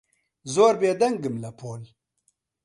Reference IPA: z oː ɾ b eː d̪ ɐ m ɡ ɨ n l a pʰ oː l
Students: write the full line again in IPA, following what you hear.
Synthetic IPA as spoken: z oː ɾ b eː d̪ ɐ ŋ ɡ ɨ m l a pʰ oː l